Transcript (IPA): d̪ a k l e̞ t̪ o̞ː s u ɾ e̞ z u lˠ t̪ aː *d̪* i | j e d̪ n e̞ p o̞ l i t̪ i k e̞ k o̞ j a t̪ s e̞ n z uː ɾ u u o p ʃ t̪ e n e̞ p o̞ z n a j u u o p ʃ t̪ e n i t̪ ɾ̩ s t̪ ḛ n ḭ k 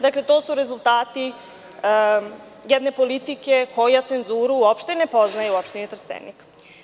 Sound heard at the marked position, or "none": t̪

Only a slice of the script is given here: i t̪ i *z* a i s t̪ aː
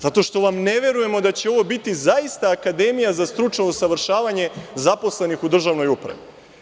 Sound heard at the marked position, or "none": z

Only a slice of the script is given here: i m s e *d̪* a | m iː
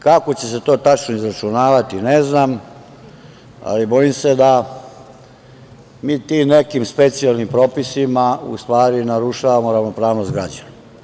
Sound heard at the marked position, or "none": d̪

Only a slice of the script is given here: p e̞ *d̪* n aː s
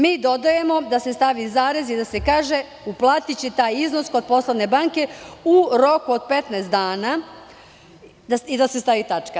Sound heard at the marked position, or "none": t̪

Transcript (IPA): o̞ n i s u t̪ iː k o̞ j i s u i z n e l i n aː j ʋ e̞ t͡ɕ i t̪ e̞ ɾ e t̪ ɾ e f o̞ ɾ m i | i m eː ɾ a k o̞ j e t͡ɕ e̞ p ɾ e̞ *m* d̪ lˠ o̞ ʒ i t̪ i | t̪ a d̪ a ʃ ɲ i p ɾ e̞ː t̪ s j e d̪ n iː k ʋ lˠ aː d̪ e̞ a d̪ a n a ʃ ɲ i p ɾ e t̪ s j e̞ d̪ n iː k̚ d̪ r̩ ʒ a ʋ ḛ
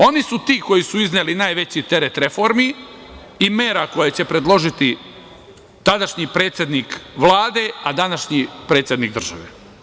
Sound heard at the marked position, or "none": none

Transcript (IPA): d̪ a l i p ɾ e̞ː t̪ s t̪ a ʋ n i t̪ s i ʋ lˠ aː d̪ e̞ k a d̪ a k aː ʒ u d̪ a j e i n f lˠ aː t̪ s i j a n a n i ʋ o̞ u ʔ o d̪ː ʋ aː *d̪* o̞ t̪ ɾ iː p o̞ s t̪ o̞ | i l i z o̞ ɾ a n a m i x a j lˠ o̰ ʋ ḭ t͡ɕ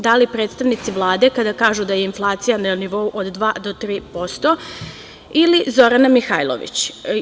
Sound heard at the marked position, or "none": d̪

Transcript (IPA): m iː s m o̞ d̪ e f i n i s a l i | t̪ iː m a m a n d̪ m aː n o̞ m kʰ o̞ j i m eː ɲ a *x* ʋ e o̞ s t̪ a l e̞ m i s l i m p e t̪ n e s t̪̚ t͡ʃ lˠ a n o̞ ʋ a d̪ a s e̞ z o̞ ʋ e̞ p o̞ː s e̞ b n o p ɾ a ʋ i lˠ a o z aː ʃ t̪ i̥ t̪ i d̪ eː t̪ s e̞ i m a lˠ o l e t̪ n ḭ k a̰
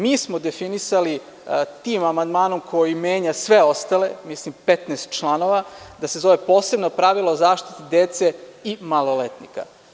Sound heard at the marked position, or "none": s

